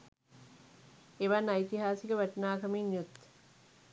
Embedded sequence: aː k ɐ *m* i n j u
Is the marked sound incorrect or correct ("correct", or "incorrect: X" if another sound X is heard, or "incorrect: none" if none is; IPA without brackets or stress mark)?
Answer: correct